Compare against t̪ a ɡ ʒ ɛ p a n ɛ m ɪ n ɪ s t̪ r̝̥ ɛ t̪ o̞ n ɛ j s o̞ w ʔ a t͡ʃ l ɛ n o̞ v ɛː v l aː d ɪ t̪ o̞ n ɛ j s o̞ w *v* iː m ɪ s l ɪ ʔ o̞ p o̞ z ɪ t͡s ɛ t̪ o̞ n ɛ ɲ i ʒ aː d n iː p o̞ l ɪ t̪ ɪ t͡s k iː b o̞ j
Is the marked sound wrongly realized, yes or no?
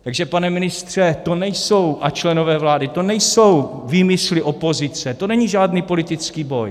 no